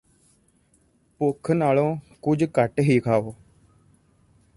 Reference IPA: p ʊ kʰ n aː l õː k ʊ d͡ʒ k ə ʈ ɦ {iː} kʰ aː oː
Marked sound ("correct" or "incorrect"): correct